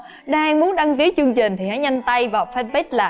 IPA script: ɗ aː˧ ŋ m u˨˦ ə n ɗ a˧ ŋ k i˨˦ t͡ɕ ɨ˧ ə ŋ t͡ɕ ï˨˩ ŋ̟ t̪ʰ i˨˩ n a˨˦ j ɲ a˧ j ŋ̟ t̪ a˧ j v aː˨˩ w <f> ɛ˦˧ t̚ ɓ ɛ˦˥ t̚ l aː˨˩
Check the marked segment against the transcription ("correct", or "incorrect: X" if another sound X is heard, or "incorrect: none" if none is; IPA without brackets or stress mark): correct